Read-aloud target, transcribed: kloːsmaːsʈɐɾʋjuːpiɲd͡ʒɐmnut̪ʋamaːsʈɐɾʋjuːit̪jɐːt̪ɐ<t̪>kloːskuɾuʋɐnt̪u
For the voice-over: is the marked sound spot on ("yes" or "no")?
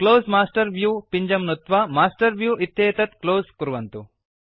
yes